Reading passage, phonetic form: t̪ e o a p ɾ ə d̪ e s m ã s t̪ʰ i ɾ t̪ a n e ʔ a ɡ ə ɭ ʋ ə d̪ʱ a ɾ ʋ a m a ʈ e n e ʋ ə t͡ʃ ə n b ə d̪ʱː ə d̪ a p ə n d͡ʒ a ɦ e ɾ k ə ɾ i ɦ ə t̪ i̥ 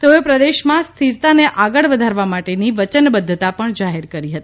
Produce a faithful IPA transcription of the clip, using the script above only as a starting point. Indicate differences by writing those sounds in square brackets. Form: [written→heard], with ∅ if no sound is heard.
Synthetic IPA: t̪ e o [a→e] p ɾ ə d̪ e [s→ʃ] m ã s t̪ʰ i ɾ t̪ a n e ʔ a ɡ ə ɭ ʋ ə d̪ʱ a ɾ ʋ a m a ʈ e n [e→i] ʋ ə t͡ʃ ə n b ə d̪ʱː ə [d̪→t̪] a p ə [n→ɳ] d͡ʒ a ɦ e ɾ k ə ɾ i ɦ ə t̪ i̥